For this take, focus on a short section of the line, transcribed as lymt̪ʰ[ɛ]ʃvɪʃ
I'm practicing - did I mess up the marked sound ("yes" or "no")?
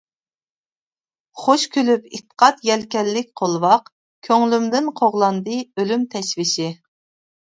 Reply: no